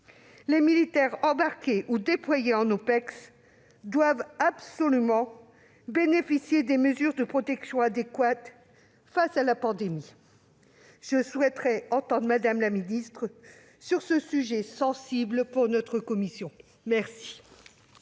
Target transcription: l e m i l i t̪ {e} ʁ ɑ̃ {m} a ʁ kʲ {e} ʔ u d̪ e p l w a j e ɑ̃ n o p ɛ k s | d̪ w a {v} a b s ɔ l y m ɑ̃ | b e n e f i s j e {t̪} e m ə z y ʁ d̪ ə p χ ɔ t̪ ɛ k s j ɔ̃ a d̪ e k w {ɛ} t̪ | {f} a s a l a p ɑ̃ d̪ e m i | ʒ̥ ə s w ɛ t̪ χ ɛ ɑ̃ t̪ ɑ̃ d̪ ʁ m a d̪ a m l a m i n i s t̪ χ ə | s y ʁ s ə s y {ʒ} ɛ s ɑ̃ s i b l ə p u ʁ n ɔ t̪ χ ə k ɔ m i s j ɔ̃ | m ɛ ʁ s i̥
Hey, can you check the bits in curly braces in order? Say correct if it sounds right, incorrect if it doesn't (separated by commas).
incorrect, incorrect, correct, correct, incorrect, incorrect, correct, correct